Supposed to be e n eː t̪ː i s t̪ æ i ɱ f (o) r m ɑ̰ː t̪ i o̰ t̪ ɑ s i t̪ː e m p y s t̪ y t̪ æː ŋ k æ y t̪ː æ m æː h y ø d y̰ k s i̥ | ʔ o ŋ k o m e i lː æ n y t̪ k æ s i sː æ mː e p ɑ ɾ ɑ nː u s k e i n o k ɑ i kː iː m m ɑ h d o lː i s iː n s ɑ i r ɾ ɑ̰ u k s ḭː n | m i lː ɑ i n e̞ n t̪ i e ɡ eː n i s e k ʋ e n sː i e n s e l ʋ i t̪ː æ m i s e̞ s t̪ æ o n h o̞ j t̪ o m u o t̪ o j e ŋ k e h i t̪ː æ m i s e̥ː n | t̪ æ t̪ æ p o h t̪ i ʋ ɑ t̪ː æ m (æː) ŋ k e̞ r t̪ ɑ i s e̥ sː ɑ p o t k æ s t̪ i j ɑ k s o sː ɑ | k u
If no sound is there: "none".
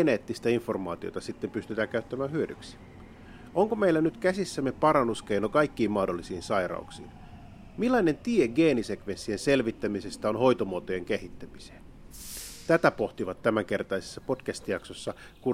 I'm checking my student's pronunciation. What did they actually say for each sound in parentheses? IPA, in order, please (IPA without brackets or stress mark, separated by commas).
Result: o, æ